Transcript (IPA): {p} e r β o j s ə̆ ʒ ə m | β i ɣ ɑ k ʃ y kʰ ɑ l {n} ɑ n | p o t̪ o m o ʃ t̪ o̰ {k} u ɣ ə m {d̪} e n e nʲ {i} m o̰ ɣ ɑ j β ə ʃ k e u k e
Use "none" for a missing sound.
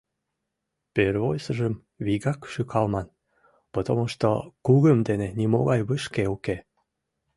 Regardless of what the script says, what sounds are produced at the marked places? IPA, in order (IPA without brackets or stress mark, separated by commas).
p, m, k, d̪, i